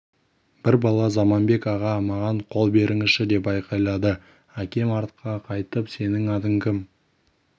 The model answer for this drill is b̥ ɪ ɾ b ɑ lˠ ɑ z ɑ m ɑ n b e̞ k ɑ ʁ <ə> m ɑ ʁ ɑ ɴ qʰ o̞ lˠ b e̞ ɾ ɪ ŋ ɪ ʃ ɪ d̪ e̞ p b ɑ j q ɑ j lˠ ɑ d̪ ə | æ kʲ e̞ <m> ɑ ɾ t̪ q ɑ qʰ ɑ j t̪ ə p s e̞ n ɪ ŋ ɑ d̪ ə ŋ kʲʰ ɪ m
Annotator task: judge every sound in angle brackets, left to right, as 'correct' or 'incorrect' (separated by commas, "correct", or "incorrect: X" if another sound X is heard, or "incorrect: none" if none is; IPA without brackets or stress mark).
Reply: incorrect: ɑ, correct